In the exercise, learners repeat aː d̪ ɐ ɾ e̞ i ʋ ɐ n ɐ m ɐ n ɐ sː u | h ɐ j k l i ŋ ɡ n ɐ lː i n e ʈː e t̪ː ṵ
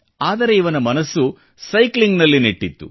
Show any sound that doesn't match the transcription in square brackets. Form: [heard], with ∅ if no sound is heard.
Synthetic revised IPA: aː d̪ ɐ ɾ e̞ i ʋ ɐ n ɐ m ɐ n ɐ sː u | [s] ɐ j k l i ŋ ɡ n ɐ lː i n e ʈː [i] t̪ː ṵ